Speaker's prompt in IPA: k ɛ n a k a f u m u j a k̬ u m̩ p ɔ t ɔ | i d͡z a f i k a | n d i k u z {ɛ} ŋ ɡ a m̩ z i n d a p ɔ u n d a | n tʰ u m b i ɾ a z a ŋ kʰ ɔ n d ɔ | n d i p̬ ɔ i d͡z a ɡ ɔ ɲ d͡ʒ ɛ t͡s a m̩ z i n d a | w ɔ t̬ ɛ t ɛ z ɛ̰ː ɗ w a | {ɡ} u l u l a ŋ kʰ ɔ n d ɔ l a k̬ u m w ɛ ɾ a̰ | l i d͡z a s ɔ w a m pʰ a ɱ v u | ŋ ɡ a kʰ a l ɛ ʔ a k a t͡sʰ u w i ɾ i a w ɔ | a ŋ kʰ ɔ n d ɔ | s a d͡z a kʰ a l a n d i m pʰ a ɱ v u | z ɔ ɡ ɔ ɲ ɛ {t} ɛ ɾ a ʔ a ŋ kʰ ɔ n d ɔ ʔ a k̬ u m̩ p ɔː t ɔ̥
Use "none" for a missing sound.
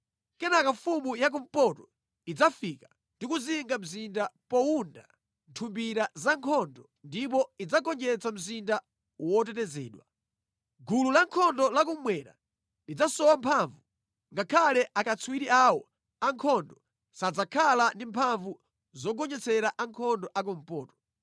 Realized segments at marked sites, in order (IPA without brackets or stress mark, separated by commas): i, ɡ, t͡s